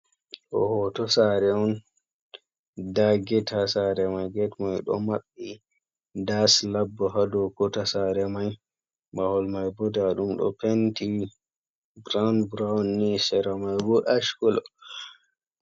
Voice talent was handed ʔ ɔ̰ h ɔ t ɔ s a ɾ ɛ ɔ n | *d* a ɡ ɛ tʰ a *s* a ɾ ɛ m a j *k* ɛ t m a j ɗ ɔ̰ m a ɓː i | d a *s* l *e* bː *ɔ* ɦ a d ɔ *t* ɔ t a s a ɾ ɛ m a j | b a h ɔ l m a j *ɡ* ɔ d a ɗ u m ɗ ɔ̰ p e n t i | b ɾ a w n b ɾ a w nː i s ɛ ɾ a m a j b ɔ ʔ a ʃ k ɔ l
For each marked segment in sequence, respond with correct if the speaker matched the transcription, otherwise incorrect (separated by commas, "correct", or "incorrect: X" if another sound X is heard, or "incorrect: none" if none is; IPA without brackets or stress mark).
correct, correct, incorrect: ɡ, correct, incorrect: a, correct, incorrect: k, incorrect: b